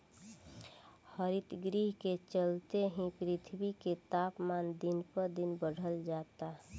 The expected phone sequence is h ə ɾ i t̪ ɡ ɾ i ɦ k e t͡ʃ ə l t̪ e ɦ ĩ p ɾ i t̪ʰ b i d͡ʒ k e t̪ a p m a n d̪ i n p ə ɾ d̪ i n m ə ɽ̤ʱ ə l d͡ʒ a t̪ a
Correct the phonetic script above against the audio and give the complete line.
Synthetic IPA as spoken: h ə ɾ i t̪ ɡ ɾ i ɦ k e t͡ʃ ə l t̪ e ɦ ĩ p ɾ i t̪ʰ b i k e t̪ a p m a n d̪ i n p ə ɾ d̪ i n b ə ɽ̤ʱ ə l d͡ʒ a t̪ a